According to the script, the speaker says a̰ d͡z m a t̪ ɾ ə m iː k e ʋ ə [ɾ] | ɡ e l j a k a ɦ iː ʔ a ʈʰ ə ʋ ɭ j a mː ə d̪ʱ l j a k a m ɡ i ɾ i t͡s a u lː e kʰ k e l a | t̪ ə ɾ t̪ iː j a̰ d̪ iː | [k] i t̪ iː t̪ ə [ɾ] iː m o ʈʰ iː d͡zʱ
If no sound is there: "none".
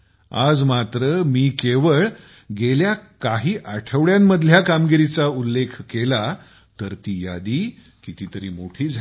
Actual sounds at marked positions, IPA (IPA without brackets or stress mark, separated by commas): ɭ, k, ɾ